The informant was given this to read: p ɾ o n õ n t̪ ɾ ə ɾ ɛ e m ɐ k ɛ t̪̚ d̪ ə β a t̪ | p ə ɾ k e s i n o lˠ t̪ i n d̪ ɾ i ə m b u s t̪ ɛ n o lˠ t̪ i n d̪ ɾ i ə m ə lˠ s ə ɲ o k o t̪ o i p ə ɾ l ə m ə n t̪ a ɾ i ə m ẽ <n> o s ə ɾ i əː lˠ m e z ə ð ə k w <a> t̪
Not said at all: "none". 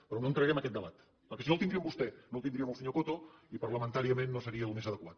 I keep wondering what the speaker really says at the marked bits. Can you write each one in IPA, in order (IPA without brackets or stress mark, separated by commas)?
nː, a